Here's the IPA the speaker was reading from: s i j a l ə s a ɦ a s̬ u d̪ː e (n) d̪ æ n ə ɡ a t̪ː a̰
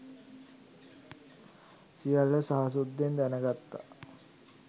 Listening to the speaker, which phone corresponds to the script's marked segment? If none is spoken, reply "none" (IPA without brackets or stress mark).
n